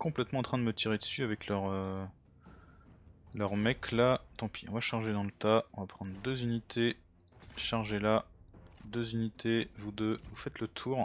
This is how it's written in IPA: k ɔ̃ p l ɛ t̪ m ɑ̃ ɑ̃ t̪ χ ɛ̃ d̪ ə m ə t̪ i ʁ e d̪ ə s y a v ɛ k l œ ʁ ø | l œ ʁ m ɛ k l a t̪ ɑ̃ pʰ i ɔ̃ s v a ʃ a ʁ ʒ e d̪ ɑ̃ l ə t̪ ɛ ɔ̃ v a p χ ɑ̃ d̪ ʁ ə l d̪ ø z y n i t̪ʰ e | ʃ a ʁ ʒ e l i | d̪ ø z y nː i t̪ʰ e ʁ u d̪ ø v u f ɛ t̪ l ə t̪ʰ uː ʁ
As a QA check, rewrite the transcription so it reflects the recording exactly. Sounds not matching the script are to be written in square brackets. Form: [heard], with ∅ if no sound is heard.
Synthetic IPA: k ɔ̃ p l ɛ t̪ m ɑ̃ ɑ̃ t̪ χ ɛ̃ d̪ ə m ə t̪ i ʁ e d̪ ə s y a v ɛ k l œ ʁ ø | l œ ʁ m ɛ k l a t̪ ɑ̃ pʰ i ɔ̃ [∅] v a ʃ a ʁ ʒ e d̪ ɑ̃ l ə t̪ [a] ɔ̃ v a p χ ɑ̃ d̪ ʁ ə [∅] d̪ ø z y n i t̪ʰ e | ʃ a ʁ ʒ e l [a] | d̪ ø z y [n] i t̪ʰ e [v] u d̪ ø v u f ɛ t̪ l ə t̪ʰ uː ʁ